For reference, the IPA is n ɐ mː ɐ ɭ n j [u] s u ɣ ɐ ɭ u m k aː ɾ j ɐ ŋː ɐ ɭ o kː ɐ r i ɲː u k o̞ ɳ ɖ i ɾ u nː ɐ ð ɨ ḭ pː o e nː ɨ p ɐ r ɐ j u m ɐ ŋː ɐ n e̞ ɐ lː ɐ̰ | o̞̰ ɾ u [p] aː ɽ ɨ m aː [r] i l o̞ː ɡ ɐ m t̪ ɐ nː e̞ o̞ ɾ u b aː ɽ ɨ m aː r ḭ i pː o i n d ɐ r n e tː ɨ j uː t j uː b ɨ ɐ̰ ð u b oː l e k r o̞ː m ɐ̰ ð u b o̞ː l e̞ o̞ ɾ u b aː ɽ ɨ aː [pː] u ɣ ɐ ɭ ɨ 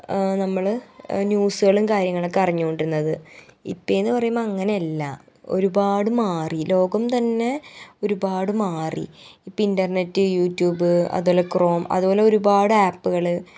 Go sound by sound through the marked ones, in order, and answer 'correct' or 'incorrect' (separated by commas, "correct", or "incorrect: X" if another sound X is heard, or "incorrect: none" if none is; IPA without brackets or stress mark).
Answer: incorrect: uː, incorrect: b, correct, correct